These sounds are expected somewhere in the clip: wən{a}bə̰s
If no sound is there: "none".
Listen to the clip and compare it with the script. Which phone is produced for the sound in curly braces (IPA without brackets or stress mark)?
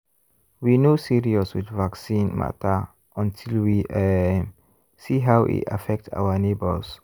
e